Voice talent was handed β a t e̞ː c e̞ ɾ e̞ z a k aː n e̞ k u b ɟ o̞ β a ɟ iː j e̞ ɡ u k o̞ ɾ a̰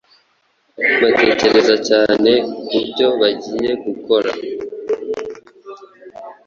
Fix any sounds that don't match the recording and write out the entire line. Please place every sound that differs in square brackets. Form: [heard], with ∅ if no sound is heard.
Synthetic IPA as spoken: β a t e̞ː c e̞ ɾ e̞ z a [c] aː n e̞ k u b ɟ o̞ β a ɟ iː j e̞ ɡ u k o̞ ɾ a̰

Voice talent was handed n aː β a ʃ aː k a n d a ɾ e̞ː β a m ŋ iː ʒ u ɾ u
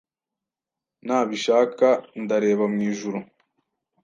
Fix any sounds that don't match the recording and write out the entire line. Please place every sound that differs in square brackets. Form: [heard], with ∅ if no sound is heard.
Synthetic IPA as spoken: n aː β [i] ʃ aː k a n d a ɾ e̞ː β a m ŋ iː ʒ u ɾ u

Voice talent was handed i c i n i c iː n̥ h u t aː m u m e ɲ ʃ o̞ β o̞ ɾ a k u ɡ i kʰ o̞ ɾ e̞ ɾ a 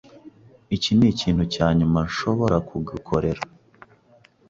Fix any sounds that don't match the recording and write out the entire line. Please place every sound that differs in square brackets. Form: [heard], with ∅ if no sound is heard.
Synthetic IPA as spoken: i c i n i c iː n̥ h u [c] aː [ɲ] u m [a] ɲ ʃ o̞ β o̞ ɾ a k u ɡ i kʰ o̞ ɾ e̞ ɾ a

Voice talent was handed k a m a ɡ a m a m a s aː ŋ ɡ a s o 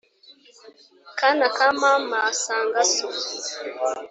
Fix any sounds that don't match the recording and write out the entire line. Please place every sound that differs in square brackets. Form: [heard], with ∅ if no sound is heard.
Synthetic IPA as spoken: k a [n] a [k] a m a m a s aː ŋ ɡ a s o

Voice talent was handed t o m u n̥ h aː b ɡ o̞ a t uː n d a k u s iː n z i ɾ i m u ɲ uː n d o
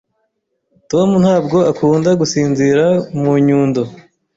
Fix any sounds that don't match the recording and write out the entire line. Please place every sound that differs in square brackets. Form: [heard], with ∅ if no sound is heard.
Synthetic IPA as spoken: t o m u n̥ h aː b ɡ o̞ a [k] uː n d a [ɡ] u s iː n z i ɾ [a] m u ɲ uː n d o

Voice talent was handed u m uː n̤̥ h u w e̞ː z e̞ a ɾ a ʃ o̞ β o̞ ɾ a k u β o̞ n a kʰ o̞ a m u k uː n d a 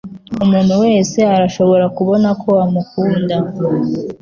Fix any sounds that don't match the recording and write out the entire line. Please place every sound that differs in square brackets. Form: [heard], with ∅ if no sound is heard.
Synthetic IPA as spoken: u m uː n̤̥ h u w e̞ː [s] e̞ a ɾ a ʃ o̞ β o̞ ɾ a k u β o̞ n a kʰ o̞ a m u k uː n d a

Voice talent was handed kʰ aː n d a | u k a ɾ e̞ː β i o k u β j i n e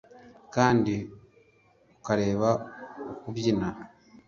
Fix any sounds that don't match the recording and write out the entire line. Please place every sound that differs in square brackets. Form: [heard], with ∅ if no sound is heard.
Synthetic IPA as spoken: [k] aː n d [i] | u k a ɾ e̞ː β [a] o k u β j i n [a]

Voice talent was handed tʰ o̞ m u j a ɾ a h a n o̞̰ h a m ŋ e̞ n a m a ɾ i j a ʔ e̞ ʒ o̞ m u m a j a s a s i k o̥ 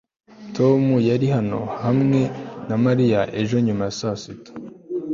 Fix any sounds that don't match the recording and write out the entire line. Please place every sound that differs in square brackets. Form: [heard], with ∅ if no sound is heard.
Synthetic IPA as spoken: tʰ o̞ m u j a ɾ [i] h a n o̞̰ h a m ŋ e̞ n a m a ɾ i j a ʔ e̞ ʒ o̞ [ɲ] u m a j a s a s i [t] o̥

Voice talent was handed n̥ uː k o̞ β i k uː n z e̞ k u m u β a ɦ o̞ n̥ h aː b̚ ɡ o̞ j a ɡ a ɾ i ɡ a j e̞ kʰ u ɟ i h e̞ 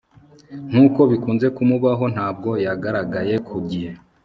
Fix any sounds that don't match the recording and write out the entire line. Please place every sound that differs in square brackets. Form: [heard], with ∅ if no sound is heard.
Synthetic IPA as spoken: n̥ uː k o̞ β i k uː n z e̞ k u m u β a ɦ o̞ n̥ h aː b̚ ɡ o̞ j a ɡ a ɾ [a] ɡ a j e̞ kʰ u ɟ i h e̞

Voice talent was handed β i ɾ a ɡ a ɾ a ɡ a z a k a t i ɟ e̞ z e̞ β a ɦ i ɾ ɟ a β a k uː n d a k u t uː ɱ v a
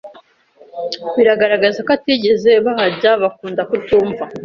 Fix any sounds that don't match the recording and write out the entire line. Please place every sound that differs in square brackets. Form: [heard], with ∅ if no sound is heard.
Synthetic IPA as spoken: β i ɾ a ɡ a ɾ a ɡ a z a k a t i ɟ e̞ z e̞ β a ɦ [a] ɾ ɟ a β a k uː n d a k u t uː ɱ v a

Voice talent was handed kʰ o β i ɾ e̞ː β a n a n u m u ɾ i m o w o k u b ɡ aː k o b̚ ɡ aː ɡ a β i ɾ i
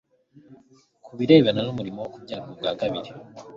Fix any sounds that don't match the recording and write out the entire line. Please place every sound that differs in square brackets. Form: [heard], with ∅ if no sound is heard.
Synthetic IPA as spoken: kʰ [u] β i ɾ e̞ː β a n a n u m u ɾ i m o w o k u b [ɟ] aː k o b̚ ɡ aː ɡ a β i ɾ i

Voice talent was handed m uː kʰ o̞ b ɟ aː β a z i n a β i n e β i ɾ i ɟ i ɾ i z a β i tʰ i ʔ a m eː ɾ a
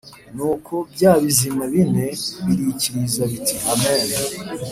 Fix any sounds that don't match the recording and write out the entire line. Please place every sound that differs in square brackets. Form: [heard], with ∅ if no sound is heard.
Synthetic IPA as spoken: [n] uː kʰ o̞ b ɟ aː β [i] z i [m] a β i n e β i ɾ i [c] i ɾ i z a β i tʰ i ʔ a m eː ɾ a

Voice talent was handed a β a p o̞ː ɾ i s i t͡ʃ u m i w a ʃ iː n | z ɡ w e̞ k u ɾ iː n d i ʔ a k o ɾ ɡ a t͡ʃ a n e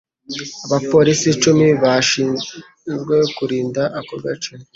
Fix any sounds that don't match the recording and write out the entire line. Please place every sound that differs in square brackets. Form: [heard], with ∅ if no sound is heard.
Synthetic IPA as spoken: a β a p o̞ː ɾ i s i t͡ʃ u m i [β] a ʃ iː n | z ɡ w e̞ k u ɾ iː n d [a] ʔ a k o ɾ ɡ a t͡ʃ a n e

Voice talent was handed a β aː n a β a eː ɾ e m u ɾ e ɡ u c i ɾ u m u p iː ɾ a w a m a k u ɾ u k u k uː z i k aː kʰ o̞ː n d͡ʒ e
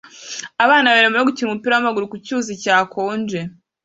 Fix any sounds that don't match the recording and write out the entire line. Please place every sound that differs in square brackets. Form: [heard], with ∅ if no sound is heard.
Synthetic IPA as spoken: a β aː n a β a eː ɾ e m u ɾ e ɡ u c i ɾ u m u p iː ɾ a w a m a [ɡ] u ɾ u k u [c] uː z i [c] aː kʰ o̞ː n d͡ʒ e

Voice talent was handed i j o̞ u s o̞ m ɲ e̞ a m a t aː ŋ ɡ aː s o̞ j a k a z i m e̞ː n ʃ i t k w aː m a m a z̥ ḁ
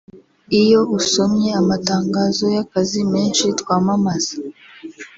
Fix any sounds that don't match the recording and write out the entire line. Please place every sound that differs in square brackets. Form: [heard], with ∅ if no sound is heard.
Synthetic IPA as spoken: i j o̞ u s o̞ m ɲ e̞ a m a t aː ŋ ɡ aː [z] o̞ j a k a z i m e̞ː n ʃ i t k w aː m a m a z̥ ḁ

